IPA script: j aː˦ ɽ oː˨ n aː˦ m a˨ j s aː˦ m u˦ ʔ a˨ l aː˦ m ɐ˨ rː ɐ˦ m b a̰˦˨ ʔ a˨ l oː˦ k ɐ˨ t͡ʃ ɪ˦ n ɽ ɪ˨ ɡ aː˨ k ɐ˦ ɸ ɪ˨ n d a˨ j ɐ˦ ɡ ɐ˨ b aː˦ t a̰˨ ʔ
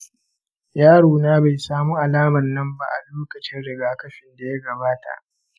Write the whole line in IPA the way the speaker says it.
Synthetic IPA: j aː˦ ɽ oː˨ n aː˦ b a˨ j s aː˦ m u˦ ʔ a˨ l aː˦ m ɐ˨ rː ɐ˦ m b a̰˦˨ ʔ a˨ l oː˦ k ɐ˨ t͡ʃ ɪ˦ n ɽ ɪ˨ ɡ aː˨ k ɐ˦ ɸ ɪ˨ n d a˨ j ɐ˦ ɡ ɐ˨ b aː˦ t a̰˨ ʔ